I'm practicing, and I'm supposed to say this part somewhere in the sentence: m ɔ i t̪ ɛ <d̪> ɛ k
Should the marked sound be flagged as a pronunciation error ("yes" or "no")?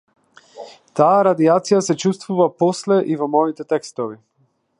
yes